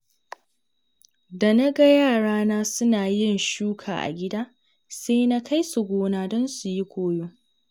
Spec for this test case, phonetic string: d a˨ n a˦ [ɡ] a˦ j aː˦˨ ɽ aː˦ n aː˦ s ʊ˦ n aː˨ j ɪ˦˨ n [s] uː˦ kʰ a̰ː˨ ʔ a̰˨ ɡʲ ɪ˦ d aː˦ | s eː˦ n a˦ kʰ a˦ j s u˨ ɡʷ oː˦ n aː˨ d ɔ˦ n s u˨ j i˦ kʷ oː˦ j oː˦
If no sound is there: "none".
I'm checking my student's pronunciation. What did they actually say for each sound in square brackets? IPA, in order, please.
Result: ɡ, ʃ

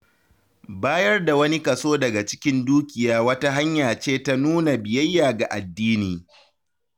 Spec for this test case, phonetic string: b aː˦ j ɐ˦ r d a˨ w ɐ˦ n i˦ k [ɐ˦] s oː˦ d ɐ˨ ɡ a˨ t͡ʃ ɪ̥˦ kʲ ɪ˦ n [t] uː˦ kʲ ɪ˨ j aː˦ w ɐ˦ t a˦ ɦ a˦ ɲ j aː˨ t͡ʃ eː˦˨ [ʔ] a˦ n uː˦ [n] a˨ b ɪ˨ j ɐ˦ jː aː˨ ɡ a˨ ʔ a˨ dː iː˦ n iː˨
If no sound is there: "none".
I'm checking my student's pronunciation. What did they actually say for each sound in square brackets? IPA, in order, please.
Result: ɐ˨, d, t, n

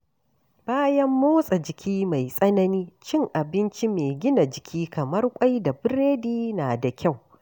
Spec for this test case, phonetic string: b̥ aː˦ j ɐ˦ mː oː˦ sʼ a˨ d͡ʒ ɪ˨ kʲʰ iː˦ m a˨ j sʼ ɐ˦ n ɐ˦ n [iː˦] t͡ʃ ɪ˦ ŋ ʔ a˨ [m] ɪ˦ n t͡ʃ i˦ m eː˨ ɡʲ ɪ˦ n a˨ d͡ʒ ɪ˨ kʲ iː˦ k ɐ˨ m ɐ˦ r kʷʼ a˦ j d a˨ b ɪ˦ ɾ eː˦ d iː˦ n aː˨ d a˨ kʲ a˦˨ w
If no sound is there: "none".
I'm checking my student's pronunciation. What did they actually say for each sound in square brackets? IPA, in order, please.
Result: iː˦, b

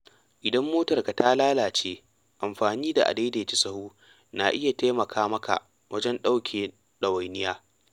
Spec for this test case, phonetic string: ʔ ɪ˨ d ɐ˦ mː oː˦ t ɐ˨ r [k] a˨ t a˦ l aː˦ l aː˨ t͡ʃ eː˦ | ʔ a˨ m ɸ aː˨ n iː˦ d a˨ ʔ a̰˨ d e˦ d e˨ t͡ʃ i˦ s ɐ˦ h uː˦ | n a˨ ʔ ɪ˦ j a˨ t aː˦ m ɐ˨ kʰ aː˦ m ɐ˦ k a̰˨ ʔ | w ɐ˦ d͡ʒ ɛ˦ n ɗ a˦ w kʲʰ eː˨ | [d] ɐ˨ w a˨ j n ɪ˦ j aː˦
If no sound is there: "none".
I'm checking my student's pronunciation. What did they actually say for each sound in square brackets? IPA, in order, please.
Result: k, ɗ

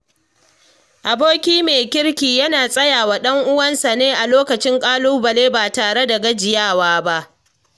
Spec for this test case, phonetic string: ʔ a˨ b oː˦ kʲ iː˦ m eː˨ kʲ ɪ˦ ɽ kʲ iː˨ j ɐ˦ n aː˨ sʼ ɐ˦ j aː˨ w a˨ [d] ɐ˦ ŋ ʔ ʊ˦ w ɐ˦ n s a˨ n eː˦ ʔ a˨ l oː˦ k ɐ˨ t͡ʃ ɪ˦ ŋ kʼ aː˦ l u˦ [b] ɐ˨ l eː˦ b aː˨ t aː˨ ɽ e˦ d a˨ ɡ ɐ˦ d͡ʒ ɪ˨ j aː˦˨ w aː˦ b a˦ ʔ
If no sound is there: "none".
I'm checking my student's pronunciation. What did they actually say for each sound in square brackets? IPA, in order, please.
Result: ɗ, b

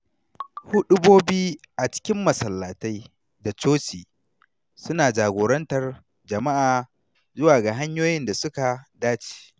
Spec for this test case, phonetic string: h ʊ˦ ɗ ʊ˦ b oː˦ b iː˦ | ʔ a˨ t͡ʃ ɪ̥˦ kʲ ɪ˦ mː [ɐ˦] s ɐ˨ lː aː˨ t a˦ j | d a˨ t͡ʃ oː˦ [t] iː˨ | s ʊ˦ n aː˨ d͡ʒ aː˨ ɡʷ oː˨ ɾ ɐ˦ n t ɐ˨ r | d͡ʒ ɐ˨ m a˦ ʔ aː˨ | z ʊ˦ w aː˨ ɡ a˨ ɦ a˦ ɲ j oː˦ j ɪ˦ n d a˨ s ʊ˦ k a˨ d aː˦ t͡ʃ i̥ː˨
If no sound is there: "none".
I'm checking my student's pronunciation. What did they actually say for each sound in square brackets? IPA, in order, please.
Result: ɐ˨, t͡ʃ

